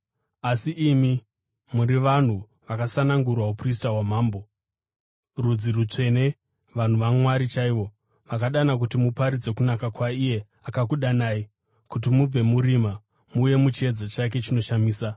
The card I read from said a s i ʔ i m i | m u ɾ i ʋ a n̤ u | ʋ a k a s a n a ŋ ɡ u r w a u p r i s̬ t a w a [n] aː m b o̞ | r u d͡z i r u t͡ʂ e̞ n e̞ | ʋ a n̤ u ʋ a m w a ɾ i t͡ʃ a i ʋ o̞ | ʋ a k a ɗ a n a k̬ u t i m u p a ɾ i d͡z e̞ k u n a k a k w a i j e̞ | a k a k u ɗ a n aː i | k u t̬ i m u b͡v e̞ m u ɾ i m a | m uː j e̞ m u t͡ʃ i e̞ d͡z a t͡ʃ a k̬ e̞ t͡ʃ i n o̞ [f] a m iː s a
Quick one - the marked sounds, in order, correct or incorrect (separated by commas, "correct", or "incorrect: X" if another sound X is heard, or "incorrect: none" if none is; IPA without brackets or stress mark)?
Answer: incorrect: m, incorrect: ʃ